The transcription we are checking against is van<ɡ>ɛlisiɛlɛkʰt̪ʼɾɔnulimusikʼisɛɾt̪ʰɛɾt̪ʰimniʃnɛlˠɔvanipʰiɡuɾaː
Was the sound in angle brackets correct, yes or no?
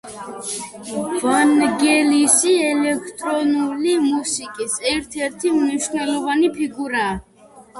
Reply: yes